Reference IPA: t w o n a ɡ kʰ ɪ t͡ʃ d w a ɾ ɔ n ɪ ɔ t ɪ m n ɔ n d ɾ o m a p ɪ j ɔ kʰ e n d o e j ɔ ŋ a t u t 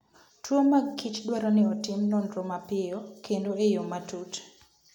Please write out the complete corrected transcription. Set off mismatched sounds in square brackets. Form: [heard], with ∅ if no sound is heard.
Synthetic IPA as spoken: t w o [m] a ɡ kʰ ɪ t͡ʃ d w a ɾ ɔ n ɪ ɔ t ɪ m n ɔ n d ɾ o m a p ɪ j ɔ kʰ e n d o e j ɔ [m] a t u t